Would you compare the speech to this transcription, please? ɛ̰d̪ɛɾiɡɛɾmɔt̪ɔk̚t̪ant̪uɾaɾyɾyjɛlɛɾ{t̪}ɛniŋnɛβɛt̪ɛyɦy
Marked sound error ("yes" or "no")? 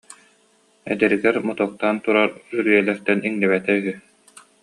no